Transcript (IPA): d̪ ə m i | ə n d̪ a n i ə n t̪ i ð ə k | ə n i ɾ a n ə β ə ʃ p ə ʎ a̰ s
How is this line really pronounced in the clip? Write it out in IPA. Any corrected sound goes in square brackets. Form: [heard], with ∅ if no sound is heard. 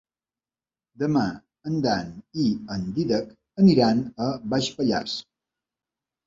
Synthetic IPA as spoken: d̪ ə m [a] | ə n d̪ a n i ə n [d̪] i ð ə k | ə n i ɾ a n ə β [a] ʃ p ə ʎ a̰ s